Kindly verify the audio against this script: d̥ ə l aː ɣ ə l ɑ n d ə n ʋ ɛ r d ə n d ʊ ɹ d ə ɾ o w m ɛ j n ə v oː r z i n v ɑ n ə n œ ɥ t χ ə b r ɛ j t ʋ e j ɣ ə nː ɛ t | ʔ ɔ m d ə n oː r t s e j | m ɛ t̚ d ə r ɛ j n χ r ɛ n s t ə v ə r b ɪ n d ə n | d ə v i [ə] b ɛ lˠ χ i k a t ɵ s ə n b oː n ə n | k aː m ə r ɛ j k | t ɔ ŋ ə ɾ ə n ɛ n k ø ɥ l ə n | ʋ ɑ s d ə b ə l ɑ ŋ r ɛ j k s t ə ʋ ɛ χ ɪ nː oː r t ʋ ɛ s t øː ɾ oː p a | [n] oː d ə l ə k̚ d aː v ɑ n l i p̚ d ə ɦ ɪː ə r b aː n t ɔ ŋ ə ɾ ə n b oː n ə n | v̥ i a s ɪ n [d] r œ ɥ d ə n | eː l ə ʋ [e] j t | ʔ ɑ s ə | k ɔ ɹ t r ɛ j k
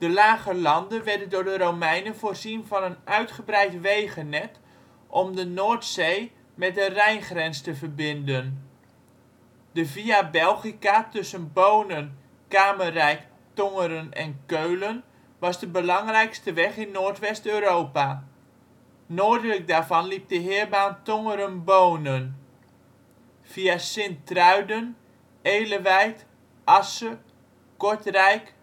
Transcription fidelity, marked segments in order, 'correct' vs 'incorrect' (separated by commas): incorrect, correct, incorrect, incorrect